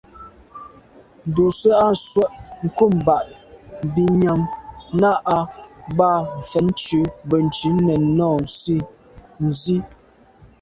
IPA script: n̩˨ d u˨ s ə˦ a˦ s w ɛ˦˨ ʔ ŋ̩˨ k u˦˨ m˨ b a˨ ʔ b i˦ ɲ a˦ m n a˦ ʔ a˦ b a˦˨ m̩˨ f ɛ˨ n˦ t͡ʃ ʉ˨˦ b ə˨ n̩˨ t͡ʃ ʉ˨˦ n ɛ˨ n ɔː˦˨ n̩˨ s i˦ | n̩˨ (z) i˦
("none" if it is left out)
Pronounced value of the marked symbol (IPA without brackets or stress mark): z